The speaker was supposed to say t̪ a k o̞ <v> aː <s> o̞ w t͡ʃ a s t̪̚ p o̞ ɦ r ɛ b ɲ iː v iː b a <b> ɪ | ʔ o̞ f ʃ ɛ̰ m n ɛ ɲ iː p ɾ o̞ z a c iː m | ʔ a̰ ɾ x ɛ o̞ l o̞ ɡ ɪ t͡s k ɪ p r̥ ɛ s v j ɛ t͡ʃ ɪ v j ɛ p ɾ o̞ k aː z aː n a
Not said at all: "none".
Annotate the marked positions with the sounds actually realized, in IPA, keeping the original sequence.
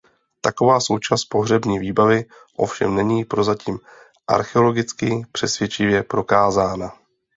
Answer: v, s, v

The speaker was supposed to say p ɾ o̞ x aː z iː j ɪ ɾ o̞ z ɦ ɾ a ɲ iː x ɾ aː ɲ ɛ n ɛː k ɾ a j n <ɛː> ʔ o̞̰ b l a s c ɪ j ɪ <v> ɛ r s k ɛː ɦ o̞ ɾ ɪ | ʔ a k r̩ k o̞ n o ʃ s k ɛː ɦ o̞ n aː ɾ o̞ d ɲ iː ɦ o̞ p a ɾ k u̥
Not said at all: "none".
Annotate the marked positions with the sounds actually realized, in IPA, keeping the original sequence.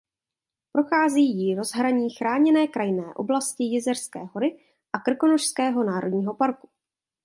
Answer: ɛː, z

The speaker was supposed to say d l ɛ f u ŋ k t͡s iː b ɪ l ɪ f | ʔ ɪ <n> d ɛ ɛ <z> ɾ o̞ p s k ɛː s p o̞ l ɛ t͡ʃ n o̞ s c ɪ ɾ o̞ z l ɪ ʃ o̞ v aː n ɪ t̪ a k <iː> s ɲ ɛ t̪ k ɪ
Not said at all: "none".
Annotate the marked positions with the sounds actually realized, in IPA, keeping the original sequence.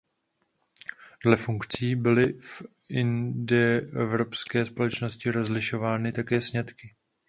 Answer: n, v, ɛː

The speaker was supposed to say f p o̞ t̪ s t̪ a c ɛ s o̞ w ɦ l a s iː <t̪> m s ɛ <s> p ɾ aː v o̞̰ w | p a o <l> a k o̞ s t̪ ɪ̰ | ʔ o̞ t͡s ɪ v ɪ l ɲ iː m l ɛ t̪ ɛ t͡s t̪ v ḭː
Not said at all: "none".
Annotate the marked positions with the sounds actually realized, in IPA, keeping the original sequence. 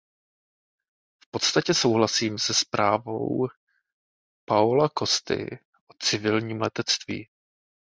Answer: none, s, l

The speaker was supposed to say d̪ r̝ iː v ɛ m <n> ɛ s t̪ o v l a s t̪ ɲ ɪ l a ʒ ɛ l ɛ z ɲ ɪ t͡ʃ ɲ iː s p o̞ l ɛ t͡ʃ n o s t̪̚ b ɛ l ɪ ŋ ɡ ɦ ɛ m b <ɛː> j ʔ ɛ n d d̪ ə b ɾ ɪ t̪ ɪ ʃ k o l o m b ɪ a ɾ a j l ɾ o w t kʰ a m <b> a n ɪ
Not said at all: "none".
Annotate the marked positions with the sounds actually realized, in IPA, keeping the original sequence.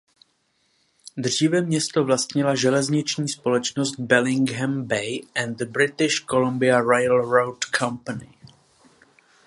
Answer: ɲ, ɛ, p

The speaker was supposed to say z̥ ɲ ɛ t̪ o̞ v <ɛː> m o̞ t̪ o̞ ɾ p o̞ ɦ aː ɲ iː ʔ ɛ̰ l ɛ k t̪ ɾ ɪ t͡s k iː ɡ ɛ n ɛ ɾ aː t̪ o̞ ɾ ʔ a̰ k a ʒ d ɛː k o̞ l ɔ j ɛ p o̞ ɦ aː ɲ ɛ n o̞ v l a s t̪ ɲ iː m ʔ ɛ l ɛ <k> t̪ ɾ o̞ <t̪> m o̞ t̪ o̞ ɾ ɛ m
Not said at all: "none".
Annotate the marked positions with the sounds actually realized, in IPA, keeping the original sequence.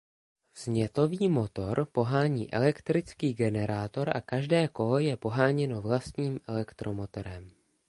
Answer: iː, k, none

